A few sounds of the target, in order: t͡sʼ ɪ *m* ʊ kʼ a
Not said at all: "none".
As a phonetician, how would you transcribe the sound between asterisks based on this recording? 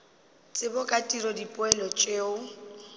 b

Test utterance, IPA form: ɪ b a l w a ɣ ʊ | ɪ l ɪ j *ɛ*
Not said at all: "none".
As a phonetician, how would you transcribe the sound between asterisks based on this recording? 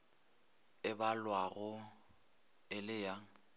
a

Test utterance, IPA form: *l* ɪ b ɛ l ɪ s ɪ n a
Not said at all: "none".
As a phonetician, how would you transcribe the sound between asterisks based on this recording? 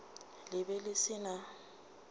l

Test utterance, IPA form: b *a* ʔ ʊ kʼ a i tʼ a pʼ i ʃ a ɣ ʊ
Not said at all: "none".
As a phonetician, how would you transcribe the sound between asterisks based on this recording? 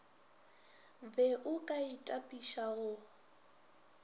ɛ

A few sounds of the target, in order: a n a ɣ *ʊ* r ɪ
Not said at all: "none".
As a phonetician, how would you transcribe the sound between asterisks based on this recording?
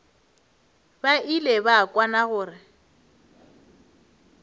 ʊː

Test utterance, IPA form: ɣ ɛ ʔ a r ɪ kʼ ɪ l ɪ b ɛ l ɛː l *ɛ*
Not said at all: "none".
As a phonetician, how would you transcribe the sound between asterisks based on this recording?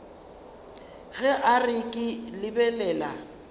a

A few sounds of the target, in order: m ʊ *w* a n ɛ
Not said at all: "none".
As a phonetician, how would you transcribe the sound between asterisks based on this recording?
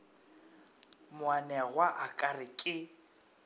w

